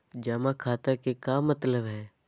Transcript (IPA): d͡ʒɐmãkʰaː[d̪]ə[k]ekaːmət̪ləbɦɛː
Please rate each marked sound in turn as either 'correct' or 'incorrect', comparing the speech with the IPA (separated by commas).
incorrect, correct